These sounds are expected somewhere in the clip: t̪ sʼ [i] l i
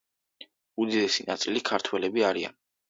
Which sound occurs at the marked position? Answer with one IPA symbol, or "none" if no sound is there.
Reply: i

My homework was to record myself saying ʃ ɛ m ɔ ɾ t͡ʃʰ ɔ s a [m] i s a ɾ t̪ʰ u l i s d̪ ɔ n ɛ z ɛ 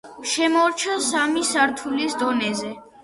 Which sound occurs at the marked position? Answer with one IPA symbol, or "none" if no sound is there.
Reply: m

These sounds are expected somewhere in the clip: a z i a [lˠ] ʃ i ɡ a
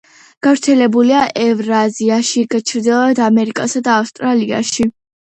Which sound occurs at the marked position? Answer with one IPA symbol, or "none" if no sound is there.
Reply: none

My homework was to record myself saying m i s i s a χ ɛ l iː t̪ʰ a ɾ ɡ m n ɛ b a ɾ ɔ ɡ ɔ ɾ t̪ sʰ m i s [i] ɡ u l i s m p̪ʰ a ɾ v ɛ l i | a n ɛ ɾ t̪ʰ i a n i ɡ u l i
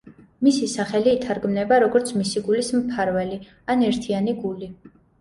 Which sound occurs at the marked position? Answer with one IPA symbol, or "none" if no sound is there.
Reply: i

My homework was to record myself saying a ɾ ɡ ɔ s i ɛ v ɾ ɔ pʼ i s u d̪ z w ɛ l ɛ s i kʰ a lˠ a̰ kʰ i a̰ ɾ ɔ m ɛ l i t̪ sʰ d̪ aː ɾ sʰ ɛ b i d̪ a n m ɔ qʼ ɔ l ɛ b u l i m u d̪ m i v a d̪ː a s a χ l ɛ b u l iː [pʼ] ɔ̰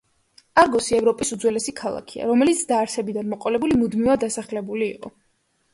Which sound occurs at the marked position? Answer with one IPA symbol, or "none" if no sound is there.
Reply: qʼ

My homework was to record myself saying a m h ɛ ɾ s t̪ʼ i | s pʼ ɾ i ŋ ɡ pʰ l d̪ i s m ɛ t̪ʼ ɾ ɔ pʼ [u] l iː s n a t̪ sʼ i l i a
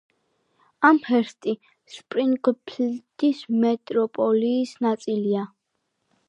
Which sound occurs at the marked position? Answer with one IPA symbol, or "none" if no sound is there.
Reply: ɔ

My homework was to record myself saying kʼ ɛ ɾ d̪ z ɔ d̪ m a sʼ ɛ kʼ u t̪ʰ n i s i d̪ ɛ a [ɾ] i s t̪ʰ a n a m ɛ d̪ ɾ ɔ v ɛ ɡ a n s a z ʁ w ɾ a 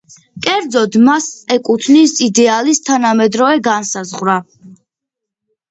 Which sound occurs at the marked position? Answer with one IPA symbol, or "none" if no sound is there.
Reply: l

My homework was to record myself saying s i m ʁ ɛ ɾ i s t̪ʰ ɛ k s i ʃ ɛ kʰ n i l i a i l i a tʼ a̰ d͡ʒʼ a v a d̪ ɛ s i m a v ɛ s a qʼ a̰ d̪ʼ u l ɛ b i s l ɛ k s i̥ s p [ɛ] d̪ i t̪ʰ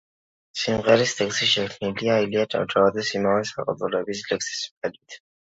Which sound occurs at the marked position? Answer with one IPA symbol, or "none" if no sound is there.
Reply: ɛ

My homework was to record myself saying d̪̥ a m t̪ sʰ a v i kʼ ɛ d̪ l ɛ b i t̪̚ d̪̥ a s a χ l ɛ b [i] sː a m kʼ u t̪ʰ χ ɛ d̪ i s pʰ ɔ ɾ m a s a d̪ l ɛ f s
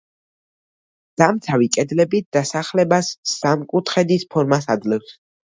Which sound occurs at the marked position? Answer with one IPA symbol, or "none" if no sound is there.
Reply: a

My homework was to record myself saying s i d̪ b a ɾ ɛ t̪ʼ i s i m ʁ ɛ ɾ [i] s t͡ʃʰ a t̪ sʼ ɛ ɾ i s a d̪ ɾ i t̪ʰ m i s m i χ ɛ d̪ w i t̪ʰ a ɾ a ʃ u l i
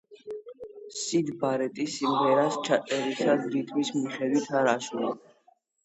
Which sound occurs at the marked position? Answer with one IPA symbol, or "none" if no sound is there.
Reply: a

